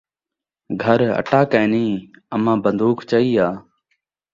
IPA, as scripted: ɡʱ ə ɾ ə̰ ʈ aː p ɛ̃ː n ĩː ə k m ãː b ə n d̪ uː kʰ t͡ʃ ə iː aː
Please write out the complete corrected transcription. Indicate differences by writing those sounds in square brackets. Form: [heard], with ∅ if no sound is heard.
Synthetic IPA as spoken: ɡʱ ə ɾ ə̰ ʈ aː [k] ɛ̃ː n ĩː ə [∅] m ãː b ə n d̪ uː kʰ t͡ʃ ə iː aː